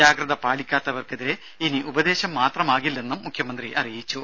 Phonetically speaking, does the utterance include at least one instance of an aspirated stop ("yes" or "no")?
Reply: yes